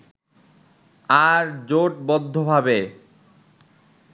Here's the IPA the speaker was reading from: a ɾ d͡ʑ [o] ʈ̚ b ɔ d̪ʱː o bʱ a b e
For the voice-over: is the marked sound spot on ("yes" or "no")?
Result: yes